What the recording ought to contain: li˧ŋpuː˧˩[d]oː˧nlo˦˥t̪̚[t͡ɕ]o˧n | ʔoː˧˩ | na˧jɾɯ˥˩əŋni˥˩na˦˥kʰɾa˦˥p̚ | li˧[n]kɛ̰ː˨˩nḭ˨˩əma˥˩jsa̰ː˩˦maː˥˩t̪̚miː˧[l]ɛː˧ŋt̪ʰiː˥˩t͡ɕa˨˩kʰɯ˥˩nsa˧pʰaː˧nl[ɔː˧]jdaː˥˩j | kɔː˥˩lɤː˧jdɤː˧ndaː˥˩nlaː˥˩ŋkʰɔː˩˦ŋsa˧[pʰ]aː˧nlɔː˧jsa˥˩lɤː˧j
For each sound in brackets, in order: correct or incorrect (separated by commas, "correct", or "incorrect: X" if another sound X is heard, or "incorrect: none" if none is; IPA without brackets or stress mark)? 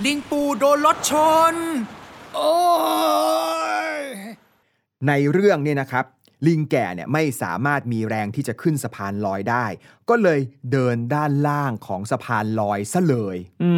correct, incorrect: t͡ɕʰ, incorrect: ŋ, incorrect: ɾ, correct, correct